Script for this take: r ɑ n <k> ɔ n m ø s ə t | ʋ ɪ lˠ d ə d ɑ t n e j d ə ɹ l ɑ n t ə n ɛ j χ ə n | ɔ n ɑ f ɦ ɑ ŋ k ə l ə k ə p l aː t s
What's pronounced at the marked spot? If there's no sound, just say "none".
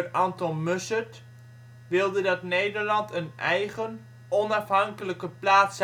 t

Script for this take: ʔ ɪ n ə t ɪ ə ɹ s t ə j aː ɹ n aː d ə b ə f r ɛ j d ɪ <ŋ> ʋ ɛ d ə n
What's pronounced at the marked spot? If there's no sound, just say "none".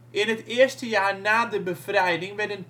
ŋ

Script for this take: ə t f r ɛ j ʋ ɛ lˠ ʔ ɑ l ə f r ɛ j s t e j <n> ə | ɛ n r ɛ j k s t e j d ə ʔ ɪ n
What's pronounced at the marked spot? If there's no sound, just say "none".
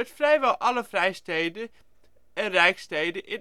d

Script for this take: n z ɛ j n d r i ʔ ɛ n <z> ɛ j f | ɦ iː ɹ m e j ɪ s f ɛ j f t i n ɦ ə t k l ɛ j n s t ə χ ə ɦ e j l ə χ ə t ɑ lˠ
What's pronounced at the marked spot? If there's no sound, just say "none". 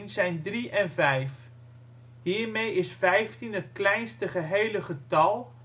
v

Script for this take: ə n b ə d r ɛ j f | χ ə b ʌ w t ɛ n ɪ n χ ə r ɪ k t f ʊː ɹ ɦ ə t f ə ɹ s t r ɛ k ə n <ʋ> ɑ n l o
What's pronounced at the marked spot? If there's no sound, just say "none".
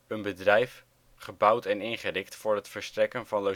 v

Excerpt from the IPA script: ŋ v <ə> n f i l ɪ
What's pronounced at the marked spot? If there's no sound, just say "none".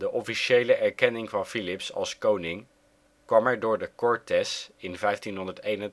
ɑ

